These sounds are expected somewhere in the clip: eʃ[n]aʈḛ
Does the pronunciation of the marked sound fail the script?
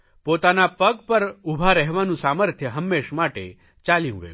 yes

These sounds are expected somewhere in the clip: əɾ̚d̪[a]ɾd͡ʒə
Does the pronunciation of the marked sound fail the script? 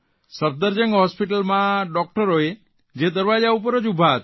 yes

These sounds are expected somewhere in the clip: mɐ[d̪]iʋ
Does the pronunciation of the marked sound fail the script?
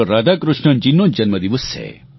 no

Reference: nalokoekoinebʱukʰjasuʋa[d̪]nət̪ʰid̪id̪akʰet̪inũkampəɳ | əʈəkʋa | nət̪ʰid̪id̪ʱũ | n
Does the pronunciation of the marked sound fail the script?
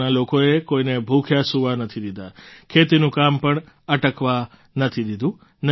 yes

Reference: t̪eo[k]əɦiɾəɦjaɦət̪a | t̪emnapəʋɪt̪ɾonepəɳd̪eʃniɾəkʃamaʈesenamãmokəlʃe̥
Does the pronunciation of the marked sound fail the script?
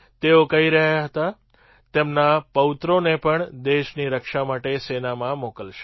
no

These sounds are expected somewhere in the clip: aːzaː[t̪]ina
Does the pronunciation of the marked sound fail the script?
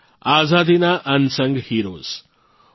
yes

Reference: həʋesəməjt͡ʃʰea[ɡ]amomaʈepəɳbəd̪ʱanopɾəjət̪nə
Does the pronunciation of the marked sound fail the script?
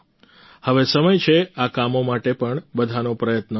yes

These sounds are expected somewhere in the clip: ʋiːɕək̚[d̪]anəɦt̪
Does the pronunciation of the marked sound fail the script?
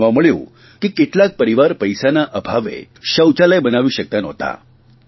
yes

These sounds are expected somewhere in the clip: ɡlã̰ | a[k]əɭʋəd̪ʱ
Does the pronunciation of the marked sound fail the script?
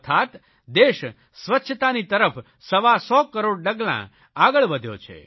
yes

